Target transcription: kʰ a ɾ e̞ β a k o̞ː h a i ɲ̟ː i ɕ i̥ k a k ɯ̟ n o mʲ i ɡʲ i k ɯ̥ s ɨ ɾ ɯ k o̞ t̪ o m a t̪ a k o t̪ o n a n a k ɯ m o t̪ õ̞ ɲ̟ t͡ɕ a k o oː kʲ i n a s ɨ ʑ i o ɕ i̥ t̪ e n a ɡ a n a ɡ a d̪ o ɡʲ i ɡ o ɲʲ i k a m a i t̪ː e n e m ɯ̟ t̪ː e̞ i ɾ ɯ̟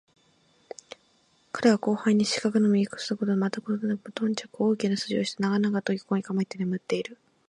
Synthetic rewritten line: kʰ a ɾ e̞ β a k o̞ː h a i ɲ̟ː i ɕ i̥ k a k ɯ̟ n o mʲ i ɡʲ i k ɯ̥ s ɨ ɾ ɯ k o̞ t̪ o m a t̪ a k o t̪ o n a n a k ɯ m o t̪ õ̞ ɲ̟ t͡ɕ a k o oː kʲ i n a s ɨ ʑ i o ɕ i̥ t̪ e n a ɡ a n a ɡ a t̪ o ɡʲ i k o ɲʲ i k a m a i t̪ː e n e m ɯ̟ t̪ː e̞ i ɾ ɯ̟

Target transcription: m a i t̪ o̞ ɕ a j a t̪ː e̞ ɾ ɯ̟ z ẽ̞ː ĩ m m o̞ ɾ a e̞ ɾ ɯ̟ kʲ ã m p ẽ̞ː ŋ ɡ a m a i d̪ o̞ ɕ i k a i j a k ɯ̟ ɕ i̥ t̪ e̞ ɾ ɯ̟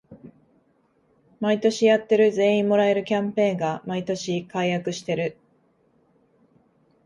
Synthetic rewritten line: m a i t̪ o̞ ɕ i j a t̪ː e̞ ɾ ɯ̟ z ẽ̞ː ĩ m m o̞ ɾ a e̞ ɾ ɯ̟ kʲ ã m p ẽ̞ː ŋ ɡ a m a i t̪ o̞ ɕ i k a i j a k ɯ̟ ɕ i̥ t̪ e̞ ɾ ɯ̟

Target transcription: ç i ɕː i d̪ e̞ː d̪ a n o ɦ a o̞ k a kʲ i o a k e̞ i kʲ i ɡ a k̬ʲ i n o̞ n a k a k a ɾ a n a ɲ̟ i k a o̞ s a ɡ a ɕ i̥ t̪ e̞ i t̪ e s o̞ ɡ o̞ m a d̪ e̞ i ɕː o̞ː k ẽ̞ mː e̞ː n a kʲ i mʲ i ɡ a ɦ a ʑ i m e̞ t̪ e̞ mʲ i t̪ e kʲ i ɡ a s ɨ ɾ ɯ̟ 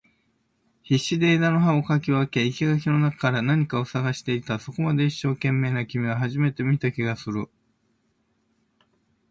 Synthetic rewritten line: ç i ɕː i d̪ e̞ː d̪ a n o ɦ a o̞ k a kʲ i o a k e̞ i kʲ i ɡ a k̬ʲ i n o̞ n a k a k a ɾ a n a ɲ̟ i k a o̞ s a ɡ a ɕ i̥ t̪ e̞ i t̪ a s o̞ k o̞ m a d̪ e̞ i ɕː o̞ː k ẽ̞ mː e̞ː n a kʲ i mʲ i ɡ a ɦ a ʑ i m e̞ t̪ e̞ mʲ i t̪ a kʲ i ɡ a s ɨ ɾ ɯ̟

